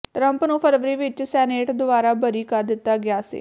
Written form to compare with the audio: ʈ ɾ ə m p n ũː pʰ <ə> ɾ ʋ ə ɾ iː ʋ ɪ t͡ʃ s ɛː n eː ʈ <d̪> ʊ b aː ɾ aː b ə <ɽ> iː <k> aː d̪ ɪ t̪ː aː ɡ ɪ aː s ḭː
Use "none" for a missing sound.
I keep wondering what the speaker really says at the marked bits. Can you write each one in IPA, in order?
ə, d̪, ɾ, k

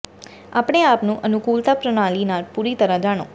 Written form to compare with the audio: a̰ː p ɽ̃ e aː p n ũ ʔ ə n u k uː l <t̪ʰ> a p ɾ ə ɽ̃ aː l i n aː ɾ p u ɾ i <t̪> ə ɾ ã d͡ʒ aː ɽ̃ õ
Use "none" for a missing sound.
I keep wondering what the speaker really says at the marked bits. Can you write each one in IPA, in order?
t̪, t̪

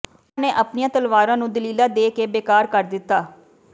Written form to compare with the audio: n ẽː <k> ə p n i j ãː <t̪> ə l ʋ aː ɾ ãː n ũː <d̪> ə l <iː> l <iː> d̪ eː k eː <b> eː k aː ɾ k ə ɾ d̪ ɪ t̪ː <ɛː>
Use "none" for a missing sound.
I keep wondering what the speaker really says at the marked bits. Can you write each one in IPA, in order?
ʔ, t̪, d̪, iː, aː, b, aː

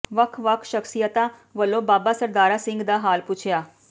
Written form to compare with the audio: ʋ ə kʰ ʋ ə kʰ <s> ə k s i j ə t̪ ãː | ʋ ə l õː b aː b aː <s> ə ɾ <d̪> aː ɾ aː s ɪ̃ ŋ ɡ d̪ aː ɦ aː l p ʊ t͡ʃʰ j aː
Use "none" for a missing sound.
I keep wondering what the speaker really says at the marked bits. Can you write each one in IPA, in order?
ʃ, s, d̪

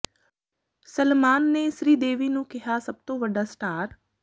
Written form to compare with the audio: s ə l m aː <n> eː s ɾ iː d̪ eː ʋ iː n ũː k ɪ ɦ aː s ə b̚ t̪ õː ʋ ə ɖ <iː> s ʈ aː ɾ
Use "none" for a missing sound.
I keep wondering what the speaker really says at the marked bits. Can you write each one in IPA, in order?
nː, aː

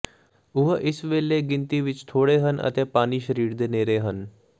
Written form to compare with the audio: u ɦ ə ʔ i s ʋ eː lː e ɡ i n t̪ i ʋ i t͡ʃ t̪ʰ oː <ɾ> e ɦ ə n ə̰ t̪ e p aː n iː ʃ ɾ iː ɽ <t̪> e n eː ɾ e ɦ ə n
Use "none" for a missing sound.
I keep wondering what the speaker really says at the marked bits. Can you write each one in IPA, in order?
ɽ, d̪

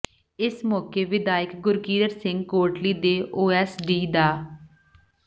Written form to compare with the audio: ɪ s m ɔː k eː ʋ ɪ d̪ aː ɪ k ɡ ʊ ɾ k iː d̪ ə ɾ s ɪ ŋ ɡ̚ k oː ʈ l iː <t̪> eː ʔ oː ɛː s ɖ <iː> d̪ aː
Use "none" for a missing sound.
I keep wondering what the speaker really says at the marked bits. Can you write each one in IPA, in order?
d̪, iː

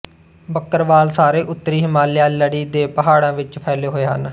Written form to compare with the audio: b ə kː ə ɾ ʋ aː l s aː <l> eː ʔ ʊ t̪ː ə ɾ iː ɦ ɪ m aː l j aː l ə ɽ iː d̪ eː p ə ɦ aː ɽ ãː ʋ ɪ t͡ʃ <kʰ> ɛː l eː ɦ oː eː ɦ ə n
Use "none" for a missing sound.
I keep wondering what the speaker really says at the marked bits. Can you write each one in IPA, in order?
ɾ, pʰ

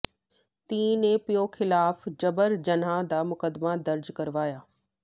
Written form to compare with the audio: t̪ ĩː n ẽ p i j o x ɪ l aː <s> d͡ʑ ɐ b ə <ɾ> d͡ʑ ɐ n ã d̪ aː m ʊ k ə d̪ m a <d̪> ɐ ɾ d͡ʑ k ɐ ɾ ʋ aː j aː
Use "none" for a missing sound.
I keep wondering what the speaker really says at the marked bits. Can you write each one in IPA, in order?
f, ɾ, d̪

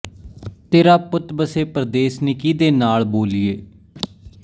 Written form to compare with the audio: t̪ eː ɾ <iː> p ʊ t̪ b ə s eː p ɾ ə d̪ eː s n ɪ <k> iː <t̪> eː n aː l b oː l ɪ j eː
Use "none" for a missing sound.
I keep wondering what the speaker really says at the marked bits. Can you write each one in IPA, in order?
aː, k, d̪

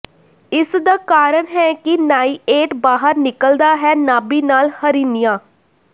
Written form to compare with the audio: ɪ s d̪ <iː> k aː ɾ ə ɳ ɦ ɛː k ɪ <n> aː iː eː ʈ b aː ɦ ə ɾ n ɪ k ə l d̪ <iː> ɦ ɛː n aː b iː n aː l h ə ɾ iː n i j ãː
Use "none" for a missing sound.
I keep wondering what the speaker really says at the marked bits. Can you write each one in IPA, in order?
aː, n, aː

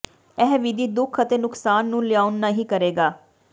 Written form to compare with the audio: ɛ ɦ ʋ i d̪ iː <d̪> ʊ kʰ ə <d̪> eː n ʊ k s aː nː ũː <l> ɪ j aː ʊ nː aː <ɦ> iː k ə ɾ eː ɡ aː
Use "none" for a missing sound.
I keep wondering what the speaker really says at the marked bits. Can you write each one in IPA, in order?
d̪, t̪, l, ɦ

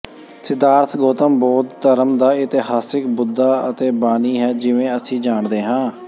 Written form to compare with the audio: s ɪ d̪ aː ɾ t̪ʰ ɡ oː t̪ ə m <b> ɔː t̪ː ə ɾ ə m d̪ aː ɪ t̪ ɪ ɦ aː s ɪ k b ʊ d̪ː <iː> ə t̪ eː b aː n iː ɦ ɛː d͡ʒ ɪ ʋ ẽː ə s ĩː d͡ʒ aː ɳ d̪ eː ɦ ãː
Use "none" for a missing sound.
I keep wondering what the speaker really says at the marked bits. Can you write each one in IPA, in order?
b, aː

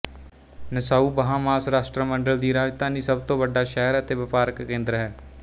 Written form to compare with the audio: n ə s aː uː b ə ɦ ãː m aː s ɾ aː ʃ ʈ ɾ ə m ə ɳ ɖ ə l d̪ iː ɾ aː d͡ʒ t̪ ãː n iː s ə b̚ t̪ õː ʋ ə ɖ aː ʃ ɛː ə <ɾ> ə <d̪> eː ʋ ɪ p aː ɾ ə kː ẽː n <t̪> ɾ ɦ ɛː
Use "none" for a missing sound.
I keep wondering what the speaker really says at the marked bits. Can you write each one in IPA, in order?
ɾ, t̪, d̪

